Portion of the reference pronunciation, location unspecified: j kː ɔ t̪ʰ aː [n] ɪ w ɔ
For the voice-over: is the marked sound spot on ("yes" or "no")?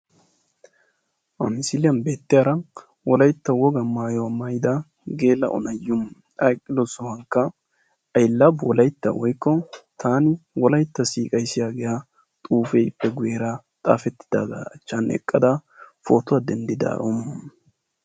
yes